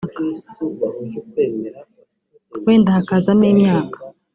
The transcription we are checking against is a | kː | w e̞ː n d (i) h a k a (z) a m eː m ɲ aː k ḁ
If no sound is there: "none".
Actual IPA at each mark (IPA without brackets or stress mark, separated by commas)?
a, z